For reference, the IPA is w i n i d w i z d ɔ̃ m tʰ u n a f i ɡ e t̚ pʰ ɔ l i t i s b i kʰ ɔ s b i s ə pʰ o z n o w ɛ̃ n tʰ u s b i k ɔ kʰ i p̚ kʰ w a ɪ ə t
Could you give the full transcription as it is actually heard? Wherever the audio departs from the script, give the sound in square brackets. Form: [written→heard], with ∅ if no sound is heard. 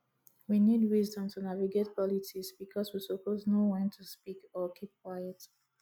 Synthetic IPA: w i n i d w i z d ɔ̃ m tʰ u n a [f→v] i ɡ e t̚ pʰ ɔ l i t i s b i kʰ ɔ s [b→w] i s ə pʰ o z n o w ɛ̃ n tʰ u s [b→p] i k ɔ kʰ i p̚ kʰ w a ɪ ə t